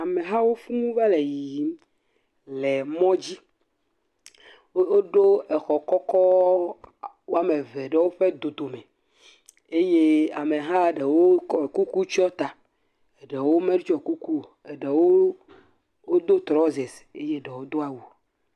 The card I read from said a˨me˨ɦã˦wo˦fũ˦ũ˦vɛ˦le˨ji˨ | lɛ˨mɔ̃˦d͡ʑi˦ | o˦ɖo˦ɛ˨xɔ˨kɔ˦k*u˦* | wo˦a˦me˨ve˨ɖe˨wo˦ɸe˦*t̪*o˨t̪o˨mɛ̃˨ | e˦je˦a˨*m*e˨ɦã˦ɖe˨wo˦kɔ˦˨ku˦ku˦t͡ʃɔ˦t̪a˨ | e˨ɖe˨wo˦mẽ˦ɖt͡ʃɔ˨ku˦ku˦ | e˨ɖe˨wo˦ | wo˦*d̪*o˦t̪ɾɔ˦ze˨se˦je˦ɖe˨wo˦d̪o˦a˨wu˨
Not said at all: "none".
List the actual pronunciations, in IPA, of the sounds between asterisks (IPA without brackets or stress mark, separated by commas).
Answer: ɔ˦, d̪, m, d̪